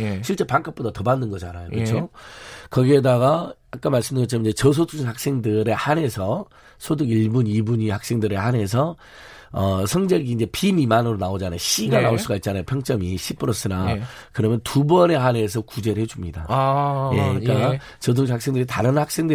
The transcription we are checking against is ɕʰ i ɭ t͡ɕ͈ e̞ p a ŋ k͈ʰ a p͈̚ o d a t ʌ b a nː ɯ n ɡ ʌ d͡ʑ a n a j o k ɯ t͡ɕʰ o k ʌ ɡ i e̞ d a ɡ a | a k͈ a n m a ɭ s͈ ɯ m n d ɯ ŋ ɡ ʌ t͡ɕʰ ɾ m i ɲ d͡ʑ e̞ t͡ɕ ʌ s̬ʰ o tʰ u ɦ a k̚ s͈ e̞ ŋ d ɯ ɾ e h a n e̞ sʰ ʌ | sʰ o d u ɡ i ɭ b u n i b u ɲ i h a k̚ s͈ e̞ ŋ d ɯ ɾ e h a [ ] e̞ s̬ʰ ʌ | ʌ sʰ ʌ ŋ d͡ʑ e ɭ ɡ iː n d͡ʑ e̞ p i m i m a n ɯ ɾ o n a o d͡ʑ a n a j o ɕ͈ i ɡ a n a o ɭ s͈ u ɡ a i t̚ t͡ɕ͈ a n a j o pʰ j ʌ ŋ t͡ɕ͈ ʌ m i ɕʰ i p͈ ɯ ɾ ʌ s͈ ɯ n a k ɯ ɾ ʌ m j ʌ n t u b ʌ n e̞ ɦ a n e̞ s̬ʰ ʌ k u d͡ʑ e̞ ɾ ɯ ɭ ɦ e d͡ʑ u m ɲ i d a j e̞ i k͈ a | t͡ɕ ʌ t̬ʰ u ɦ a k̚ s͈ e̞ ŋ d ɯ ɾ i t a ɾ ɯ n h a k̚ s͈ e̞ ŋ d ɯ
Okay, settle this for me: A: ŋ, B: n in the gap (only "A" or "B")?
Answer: B